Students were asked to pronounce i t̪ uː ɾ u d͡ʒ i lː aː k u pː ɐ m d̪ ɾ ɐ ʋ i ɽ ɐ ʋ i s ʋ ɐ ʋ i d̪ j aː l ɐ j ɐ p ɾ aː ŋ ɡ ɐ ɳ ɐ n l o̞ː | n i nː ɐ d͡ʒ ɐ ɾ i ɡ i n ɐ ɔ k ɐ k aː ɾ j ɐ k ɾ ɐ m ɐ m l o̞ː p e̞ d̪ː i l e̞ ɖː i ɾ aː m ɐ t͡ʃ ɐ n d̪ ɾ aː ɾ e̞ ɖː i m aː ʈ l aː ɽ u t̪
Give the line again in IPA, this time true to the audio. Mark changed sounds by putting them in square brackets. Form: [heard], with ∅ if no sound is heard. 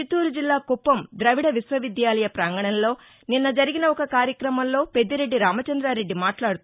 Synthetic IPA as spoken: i t̪ uː ɾ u d͡ʒ i lː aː k u pː ɐ m d̪ ɾ ɐ ʋ i ɽ ɐ ʋ i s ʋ ɐ ʋ i d̪ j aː l ɐ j ɐ p ɾ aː ŋ ɡ ɐ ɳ ɐ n l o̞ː | n i nː ɐ d͡ʒ ɐ ɾ i ɡ i n ɐ ɔ k ɐ k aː ɾ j ɐ k ɾ ɐ m ɐ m l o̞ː p e̞ d̪ː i [ɾ] e̞ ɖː i ɾ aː m ɐ t͡ʃ ɐ n d̪ ɾ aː ɾ e̞ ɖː i m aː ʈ l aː ɽ u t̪

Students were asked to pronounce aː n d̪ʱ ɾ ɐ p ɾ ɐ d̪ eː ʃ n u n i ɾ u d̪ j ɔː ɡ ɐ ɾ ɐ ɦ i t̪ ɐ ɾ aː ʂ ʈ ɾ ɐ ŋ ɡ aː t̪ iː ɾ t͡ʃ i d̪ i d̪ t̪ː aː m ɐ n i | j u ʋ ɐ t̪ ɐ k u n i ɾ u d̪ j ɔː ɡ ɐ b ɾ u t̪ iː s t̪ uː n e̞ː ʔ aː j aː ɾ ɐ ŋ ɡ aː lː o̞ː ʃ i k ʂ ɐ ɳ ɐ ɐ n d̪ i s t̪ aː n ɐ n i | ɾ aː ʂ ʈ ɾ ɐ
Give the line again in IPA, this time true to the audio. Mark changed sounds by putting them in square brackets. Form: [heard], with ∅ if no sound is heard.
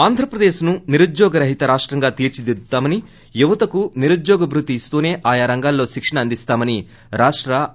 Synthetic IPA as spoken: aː n d̪ʱ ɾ ɐ p ɾ ɐ d̪ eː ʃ n u n i ɾ u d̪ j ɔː ɡ ɐ ɾ ɐ ɦ i t̪ ɐ ɾ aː ʂ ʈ ɾ ɐ ŋ ɡ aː t̪ iː ɾ t͡ʃ i d̪ i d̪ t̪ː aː m ɐ n i | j u ʋ ɐ t̪ ɐ k u n i ɾ u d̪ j ɔː ɡ ɐ b ɾ u t̪ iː s t̪ uː n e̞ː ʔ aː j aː ɾ ɐ ŋ ɡ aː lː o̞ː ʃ i k ʂ ɐ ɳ ɐ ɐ n d̪ i s t̪ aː [m] ɐ n i | ɾ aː ʂ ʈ ɾ ɐ

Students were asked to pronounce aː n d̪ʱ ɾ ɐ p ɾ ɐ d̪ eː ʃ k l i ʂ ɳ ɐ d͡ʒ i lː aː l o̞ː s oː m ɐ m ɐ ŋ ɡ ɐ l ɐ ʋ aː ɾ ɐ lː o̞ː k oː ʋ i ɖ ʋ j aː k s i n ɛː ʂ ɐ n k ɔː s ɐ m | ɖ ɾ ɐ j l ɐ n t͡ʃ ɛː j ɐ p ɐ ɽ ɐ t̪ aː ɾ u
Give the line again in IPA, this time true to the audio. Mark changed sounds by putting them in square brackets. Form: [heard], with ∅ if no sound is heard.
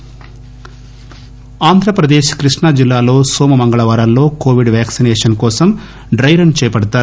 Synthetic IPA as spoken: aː n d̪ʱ ɾ ɐ p ɾ ɐ d̪ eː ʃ k [ɾ] i ʂ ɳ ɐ d͡ʒ i lː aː l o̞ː s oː m ɐ m ɐ ŋ ɡ ɐ [ɭ] ɐ ʋ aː ɾ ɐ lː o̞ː k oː ʋ i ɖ ʋ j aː k s i n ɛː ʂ ɐ n k ɔː s ɐ m | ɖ ɾ ɐ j [ɾ] ɐ n t͡ʃ ɛː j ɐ p ɐ ɽ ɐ t̪ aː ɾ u

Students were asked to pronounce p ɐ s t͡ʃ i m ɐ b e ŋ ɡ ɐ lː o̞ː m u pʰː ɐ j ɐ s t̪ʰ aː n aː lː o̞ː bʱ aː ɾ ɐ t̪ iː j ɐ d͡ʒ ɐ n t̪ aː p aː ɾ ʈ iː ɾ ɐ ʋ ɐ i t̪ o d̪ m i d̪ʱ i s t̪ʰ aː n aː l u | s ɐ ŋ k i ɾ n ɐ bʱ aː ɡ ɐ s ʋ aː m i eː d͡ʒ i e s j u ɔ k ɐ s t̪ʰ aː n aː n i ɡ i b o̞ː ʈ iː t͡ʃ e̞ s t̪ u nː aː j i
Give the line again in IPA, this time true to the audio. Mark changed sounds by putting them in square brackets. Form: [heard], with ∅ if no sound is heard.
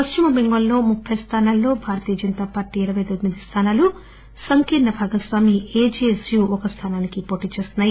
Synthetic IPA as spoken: p ɐ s t͡ʃ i m ɐ b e ŋ ɡ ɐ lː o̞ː m u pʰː ɐ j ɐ s t̪ʰ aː n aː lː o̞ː bʱ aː ɾ ɐ t̪ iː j ɐ d͡ʒ ɐ n t̪ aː p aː ɾ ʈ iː ɾ ɐ ʋ ɐ [j] t̪ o d̪ m i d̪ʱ i s t̪ʰ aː n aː l u | s ɐ ŋ k i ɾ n ɐ bʱ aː ɡ ɐ s ʋ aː m i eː d͡ʒ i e s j u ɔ k ɐ s t̪ʰ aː n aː n i [k] i [p] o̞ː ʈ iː t͡ʃ e̞ s t̪ u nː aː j i

